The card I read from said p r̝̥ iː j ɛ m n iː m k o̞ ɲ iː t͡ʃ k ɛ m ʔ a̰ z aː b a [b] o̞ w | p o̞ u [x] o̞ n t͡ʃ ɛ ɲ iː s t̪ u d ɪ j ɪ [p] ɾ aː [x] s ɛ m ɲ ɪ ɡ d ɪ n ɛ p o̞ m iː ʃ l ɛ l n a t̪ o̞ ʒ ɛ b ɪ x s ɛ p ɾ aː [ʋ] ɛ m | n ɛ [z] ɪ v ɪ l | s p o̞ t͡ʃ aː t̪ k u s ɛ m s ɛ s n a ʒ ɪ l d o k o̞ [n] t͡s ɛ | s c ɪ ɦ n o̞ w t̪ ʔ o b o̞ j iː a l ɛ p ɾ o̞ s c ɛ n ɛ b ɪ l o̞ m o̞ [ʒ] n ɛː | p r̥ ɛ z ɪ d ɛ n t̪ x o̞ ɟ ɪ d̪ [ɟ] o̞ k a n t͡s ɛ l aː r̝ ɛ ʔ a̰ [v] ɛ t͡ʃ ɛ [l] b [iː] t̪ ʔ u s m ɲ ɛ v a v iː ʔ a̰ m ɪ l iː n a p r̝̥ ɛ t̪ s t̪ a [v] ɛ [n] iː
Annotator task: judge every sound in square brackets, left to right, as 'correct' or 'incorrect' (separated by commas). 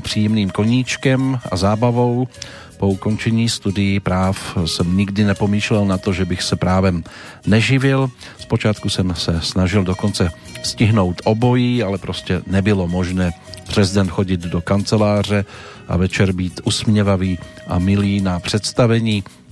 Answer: incorrect, incorrect, correct, incorrect, incorrect, incorrect, correct, correct, incorrect, correct, incorrect, correct, correct, incorrect